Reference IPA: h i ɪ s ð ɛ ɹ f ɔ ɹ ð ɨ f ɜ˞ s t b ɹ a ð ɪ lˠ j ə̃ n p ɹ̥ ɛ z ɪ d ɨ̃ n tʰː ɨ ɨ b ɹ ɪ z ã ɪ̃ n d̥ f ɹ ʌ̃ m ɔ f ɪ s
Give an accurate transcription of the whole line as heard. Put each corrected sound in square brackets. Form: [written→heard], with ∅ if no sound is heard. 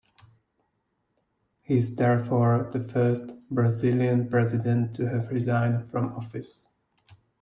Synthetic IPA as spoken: h i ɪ [s→z] ð ɛ ɹ f ɔ ɹ ð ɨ f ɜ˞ s t b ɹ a [ð→z] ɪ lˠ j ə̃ n p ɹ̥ ɛ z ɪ d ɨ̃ n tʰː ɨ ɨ [b→v] ɹ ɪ z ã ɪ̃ n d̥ f ɹ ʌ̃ m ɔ f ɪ s

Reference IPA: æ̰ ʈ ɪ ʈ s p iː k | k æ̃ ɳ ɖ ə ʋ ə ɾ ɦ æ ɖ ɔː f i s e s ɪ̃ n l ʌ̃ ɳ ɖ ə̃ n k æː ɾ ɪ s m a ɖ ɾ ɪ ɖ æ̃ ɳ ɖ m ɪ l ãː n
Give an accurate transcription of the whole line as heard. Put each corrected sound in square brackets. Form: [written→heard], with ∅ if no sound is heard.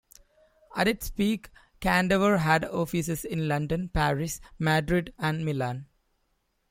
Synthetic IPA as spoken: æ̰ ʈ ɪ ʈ s p iː k | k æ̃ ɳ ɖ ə ʋ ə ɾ ɦ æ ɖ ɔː f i s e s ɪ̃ n l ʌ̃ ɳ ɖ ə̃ n [k→p] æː ɾ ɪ s m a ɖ ɾ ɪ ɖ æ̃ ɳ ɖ m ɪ l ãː n

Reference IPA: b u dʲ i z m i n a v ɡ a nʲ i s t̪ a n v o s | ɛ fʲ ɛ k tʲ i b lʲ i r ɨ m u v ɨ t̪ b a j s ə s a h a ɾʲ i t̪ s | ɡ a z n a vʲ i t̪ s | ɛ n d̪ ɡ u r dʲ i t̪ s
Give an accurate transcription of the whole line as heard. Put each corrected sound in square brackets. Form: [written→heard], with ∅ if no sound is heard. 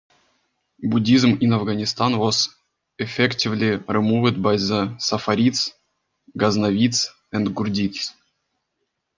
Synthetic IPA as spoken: b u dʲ i z m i n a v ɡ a nʲ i s t̪ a n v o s | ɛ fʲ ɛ k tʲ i [b→v] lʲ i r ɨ m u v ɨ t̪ b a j [s→z] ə s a [h→f] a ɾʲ i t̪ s | ɡ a z n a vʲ i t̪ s | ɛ n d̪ ɡ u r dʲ i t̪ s

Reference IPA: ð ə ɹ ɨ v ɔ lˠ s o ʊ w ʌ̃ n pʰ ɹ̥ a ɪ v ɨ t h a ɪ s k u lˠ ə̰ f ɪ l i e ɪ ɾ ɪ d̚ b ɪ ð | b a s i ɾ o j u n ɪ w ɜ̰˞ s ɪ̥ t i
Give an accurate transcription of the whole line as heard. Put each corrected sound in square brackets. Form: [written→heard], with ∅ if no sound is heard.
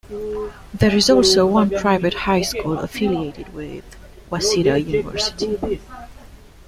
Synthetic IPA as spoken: ð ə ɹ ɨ [v→z] ɔ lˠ s o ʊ w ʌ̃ n pʰ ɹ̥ a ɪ v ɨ t h a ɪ s k u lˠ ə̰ f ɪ l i e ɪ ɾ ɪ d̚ [b→w] ɪ ð | [b→w] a s i ɾ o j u n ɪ [w→v] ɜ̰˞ s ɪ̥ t i

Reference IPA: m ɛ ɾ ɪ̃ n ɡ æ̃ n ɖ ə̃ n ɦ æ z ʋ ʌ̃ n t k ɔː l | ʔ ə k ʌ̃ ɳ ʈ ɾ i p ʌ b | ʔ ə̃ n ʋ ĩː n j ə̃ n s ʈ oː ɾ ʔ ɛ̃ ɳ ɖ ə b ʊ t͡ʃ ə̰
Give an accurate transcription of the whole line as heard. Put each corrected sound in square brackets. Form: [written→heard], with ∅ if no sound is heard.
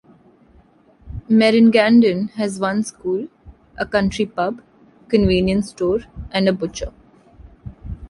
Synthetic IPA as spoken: m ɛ ɾ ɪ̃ n ɡ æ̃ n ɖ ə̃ n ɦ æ z ʋ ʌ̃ n [t→s] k [ɔː→uː] l | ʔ ə k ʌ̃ ɳ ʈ ɾ i p ʌ b | [ʔ→k] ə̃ n ʋ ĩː n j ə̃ n s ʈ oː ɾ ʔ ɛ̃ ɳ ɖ ə b ʊ t͡ʃ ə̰

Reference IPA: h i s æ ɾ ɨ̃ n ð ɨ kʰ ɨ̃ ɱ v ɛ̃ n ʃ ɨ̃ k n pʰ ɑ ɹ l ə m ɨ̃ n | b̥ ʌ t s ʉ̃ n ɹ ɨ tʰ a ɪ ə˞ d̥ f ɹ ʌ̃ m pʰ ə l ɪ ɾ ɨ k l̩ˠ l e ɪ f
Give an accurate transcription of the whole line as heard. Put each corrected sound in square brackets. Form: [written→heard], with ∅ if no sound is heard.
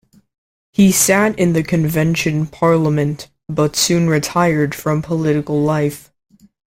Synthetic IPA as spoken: h i s æ ɾ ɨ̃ n ð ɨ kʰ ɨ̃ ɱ v ɛ̃ n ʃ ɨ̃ [k→∅] n pʰ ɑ ɹ l ə m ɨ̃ n | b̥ ʌ t s ʉ̃ n ɹ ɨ tʰ a ɪ ə˞ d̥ f ɹ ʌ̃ m pʰ ə l ɪ ɾ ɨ k l̩ˠ l [e→a] ɪ f

